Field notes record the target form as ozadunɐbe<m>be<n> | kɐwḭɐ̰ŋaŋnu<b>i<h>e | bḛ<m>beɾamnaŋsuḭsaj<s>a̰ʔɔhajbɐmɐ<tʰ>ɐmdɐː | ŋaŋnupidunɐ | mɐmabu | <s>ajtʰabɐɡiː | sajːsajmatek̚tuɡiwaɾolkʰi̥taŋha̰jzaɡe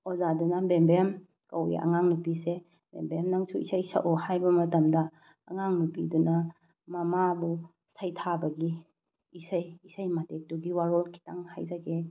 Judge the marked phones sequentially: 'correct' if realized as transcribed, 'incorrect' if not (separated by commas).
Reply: correct, incorrect, incorrect, incorrect, correct, correct, incorrect, correct